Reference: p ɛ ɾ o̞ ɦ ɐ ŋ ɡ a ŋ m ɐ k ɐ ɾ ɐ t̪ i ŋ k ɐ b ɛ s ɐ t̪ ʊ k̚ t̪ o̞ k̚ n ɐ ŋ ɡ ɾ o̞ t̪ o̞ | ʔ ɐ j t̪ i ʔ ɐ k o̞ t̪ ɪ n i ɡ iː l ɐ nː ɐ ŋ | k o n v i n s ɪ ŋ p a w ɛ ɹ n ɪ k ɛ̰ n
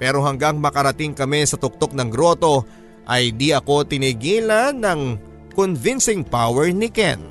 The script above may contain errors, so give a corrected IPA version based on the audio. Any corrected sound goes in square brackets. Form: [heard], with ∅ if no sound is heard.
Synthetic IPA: p ɛ ɾ o̞ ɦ ɐ ŋ ɡ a ŋ m ɐ k ɐ ɾ ɐ t̪ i ŋ k ɐ [m] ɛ s ɐ t̪ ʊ k̚ t̪ o̞ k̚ n ɐ ŋ ɡ ɾ o̞ t̪ o̞ | ʔ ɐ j [d̪] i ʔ ɐ k o̞ t̪ ɪ n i ɡ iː l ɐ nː ɐ ŋ | k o n v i n s ɪ ŋ p a w ɛ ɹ n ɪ k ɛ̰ n